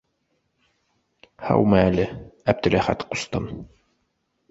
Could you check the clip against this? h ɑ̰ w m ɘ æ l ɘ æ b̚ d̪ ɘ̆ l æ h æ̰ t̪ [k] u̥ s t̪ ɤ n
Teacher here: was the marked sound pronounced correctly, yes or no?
no